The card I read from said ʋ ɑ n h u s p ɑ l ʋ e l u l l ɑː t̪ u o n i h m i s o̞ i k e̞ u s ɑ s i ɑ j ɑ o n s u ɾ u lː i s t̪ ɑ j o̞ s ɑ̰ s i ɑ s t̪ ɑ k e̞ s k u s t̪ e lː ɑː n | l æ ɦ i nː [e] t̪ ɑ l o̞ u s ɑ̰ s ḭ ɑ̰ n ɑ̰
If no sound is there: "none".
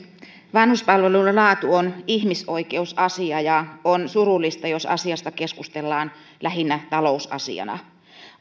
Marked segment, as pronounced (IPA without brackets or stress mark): æ